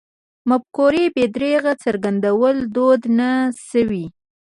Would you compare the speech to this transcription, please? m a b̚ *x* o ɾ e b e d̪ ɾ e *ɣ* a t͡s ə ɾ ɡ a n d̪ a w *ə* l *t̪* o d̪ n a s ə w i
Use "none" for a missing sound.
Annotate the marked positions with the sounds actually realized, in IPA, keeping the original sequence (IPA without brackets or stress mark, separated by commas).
k, ɣ, ə, d̪